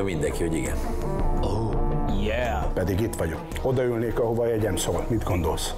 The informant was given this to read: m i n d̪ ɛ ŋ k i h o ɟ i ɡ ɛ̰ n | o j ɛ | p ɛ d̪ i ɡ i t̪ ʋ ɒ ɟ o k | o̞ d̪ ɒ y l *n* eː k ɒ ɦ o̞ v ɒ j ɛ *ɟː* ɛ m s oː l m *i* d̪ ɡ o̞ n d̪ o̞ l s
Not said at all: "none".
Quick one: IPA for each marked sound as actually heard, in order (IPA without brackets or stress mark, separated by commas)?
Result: n, ɟ, i